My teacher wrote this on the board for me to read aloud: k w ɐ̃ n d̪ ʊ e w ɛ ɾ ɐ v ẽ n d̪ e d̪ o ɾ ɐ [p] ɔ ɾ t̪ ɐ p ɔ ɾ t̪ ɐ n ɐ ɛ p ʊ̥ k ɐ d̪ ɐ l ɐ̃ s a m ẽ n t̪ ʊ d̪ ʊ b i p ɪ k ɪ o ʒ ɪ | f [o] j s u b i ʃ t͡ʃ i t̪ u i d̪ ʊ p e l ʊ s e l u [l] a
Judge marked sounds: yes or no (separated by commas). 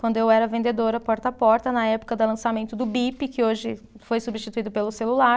yes, yes, yes